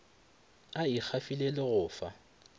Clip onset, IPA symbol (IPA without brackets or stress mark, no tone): a